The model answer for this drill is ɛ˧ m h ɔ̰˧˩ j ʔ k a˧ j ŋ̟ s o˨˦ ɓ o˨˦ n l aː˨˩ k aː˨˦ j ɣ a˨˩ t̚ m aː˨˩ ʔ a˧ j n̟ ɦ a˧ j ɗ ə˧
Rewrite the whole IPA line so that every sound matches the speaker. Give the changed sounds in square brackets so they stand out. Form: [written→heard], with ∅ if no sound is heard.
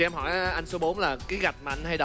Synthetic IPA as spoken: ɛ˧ m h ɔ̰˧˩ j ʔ [k→ʔ] a˧ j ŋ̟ s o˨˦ ɓ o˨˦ n l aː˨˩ k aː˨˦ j ɣ a˨˩ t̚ m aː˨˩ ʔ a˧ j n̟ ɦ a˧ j ɗ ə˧